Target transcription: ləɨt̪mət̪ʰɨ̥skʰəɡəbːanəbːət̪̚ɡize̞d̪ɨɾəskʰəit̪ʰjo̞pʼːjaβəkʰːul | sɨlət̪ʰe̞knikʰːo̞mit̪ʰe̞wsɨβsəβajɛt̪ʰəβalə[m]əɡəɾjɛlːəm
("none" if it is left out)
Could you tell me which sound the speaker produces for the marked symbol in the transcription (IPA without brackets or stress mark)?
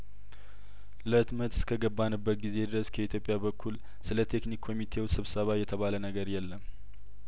n